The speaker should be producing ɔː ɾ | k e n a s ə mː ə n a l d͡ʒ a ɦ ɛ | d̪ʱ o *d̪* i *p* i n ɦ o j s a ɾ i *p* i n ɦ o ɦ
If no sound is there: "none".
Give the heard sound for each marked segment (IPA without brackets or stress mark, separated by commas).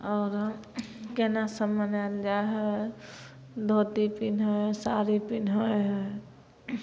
t̪, p, p